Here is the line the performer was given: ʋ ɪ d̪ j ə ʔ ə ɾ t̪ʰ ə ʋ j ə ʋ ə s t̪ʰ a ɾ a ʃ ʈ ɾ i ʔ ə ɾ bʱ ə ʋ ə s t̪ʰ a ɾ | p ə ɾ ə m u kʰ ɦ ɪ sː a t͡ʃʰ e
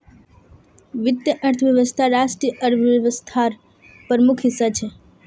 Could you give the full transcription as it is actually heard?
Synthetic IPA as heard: ʋ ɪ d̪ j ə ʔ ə ɾ t̪ʰ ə ʋ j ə ʋ ə s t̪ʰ a ɾ a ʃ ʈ ɾ i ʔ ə ɾ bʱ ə ʋ ə s t̪ʰ a ɾ | p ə ɾ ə m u kʰ ɦ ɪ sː a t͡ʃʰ e